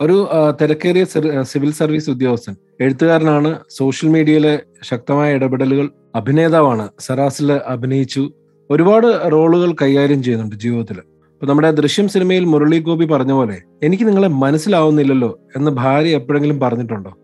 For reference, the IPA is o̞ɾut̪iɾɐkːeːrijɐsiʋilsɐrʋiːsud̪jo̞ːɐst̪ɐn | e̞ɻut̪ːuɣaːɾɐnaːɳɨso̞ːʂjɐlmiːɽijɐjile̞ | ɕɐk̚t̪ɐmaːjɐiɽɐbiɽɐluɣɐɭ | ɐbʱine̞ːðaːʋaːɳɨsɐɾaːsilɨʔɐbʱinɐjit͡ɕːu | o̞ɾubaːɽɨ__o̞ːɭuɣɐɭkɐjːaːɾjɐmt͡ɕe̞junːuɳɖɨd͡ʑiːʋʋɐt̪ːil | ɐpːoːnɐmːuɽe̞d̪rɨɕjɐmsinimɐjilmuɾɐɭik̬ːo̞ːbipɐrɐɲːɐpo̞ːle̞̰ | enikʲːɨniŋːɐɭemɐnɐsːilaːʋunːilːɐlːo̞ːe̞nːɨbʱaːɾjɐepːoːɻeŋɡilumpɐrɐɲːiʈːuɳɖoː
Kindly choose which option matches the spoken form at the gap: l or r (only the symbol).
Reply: r